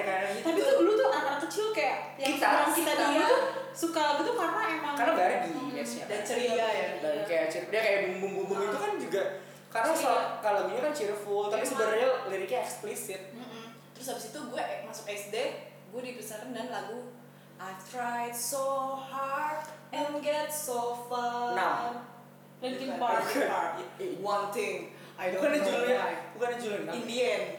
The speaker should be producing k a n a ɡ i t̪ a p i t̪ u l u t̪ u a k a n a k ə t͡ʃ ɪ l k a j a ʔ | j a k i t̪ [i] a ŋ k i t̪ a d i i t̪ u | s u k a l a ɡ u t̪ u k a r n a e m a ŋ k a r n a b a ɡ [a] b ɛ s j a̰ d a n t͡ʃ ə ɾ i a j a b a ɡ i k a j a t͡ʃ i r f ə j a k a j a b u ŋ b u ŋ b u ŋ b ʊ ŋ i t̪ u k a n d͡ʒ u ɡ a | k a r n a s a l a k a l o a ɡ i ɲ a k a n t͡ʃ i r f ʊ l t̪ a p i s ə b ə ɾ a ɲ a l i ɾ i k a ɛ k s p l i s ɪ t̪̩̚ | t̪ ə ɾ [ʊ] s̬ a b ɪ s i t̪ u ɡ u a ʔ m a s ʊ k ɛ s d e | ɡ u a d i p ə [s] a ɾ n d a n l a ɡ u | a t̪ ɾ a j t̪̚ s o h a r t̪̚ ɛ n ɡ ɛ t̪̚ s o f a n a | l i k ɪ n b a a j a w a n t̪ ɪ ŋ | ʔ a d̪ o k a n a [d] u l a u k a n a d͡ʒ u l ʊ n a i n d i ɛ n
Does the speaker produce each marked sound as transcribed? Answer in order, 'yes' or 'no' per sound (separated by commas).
no, no, yes, yes, no